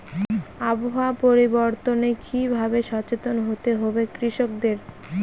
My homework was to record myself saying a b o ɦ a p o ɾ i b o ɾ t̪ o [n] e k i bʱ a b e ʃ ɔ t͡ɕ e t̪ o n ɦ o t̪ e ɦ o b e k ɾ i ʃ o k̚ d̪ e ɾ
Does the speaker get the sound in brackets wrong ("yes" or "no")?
no